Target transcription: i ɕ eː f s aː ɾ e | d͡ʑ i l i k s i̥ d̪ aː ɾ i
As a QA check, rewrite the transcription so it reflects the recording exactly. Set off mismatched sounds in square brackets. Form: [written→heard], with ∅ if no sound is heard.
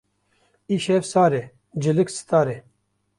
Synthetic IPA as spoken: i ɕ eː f s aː ɾ e | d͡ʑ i l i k s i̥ [d̪→t̪] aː ɾ [i→e]